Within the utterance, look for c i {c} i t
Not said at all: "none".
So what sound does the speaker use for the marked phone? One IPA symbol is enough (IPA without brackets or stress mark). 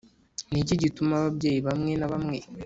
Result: ɟ